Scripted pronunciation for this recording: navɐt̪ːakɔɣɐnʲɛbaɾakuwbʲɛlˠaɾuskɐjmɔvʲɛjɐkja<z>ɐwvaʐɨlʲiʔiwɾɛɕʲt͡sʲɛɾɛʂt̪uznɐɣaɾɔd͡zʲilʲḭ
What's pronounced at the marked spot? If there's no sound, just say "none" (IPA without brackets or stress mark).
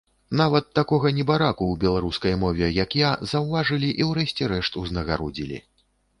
z